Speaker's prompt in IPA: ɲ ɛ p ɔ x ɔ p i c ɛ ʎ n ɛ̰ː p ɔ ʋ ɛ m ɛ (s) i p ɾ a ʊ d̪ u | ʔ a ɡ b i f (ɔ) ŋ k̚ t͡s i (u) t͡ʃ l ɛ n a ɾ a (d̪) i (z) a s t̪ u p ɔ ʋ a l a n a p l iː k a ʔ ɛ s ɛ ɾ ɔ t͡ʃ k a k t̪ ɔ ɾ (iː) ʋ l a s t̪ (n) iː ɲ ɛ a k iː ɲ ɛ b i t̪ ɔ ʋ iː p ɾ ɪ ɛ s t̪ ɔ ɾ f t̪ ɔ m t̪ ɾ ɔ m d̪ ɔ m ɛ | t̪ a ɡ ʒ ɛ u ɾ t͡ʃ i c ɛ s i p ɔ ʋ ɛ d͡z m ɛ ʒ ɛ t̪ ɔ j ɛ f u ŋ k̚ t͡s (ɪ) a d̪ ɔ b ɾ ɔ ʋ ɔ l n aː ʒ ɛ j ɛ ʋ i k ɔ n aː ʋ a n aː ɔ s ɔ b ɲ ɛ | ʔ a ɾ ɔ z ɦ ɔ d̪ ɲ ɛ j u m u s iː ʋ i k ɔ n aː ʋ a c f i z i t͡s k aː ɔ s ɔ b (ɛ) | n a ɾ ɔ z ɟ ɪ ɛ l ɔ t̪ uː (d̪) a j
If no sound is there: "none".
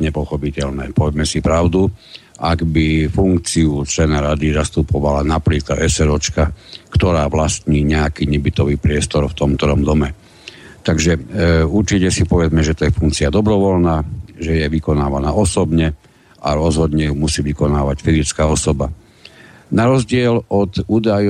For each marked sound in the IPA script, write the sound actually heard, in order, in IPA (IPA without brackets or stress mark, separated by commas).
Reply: s, u, u, d̪, z, aː, ɲ, i, a, d̪